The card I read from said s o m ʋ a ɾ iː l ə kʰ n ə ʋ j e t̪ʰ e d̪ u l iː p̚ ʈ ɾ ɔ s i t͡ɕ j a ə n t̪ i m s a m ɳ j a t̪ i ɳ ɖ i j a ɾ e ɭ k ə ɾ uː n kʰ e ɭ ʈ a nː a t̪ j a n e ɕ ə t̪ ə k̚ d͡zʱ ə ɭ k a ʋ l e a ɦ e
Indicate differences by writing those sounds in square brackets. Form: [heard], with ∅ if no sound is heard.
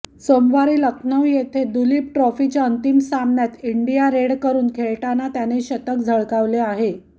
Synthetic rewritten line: s o m ʋ a ɾ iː l ə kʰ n ə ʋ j e t̪ʰ e d̪ u l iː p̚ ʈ ɾ ɔ [f] i t͡ɕ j a ə n t̪ i m s a m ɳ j a t̪ i ɳ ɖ i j a ɾ e [ɽ] k ə ɾ uː n kʰ e ɭ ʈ a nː a t̪ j a n e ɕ ə t̪ ə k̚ d͡zʱ ə ɭ k a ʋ l e a ɦ e